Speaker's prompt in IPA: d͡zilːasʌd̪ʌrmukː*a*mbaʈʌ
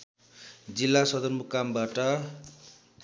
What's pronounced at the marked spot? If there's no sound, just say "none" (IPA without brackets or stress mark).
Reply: a